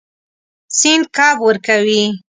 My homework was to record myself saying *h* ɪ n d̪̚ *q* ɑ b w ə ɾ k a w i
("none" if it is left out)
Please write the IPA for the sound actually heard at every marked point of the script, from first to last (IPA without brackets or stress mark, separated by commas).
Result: s, k